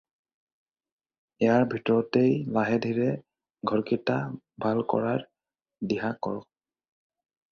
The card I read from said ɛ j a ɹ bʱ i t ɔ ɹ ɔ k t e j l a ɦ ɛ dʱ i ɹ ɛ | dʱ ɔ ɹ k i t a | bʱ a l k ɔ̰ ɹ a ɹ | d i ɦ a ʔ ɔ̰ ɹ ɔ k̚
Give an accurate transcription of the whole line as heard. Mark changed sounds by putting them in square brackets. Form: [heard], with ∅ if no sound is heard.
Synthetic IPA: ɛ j a ɹ bʱ i t ɔ ɹ ɔ [∅] t e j l a ɦ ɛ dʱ i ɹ ɛ | [ɡʱ] ɔ ɹ k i t a | bʱ a l k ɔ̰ ɹ a ɹ | d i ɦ a [k] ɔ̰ ɹ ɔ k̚